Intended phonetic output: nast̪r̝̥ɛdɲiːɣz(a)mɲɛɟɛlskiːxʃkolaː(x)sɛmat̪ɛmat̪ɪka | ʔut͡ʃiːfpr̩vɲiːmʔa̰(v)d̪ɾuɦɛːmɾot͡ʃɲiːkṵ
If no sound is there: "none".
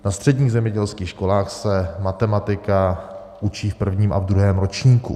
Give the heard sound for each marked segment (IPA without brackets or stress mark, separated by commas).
ɛ, x, v